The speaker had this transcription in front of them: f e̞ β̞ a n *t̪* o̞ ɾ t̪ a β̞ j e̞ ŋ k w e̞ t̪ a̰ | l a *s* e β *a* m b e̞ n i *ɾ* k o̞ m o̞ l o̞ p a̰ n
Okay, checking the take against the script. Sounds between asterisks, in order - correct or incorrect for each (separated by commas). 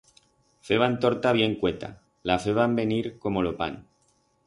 correct, incorrect, correct, correct